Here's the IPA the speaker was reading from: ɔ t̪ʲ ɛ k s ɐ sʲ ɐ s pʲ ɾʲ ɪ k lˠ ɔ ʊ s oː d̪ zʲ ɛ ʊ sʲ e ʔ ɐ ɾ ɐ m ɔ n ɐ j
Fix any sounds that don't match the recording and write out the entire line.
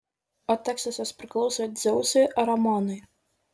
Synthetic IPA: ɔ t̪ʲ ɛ k s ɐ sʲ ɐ s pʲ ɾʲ ɪ k lˠ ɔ ʊ s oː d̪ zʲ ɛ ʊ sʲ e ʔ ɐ ɾ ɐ m ɔ n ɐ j